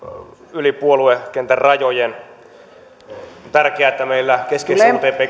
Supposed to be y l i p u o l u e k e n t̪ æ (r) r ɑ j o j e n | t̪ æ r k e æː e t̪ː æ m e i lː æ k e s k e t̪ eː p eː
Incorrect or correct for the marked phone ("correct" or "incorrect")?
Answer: correct